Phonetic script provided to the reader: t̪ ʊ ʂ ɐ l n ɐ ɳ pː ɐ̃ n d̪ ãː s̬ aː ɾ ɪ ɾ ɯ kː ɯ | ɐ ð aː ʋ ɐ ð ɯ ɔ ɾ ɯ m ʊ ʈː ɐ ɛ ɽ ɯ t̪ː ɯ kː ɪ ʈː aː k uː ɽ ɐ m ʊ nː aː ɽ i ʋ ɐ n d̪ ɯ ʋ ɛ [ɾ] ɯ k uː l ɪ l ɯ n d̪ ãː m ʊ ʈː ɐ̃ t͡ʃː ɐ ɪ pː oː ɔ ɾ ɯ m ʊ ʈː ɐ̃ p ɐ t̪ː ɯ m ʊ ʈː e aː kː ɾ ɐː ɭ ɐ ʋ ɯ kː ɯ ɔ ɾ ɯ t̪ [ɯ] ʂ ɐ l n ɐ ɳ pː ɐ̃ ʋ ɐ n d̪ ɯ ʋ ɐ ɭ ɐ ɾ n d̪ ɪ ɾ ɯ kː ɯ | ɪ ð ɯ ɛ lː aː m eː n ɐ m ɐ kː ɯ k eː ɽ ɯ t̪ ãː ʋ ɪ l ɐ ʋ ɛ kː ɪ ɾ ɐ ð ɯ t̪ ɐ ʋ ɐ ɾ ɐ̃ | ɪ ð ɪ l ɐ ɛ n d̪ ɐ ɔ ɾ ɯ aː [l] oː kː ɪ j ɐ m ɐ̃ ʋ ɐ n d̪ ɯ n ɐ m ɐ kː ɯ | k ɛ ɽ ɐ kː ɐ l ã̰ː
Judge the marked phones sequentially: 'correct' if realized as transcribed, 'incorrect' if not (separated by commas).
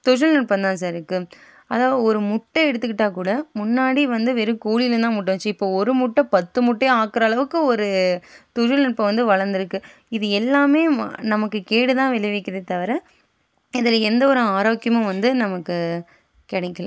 correct, incorrect, incorrect